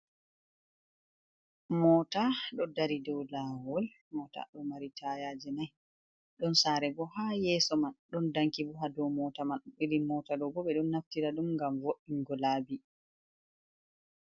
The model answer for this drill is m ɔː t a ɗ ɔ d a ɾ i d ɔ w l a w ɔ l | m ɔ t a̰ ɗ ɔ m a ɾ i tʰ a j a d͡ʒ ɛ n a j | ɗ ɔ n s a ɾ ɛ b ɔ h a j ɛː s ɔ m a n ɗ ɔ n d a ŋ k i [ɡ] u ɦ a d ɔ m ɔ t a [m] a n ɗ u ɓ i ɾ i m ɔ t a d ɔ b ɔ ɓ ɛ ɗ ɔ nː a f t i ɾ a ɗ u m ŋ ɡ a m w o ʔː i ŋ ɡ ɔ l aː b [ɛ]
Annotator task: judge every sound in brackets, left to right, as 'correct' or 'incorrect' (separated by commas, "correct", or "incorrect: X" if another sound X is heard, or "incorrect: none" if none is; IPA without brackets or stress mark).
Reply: incorrect: b, correct, incorrect: i